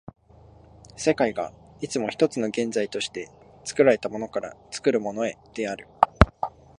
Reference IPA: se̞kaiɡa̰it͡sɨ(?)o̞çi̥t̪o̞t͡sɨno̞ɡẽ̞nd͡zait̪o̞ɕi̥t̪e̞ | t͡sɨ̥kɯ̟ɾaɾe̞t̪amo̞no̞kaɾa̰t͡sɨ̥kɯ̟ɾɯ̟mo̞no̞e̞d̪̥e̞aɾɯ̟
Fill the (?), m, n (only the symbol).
m